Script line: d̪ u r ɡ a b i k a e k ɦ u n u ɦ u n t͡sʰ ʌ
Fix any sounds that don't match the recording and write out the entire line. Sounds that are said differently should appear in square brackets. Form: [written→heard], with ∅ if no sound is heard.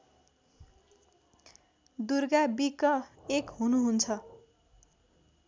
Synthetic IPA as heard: d̪ u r ɡ a b i k [a→ʌ] e k ɦ u n u ɦ u n t͡sʰ ʌ